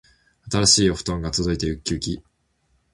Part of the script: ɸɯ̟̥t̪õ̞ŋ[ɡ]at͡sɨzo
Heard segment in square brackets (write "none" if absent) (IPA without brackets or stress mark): ɡ